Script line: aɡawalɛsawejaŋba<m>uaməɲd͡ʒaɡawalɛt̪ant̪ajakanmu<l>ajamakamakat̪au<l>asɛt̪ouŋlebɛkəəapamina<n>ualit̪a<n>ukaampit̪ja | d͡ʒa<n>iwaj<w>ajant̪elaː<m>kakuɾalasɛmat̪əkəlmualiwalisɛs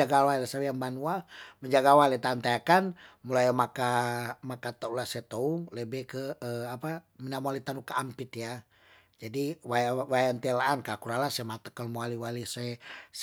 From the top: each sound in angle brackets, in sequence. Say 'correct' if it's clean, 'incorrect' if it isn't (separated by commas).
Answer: incorrect, correct, correct, incorrect, correct, incorrect, correct, incorrect